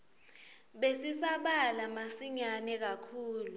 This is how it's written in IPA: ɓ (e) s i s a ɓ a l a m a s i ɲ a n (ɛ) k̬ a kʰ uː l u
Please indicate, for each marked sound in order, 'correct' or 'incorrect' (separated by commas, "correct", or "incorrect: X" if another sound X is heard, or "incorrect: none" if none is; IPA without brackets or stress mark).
correct, correct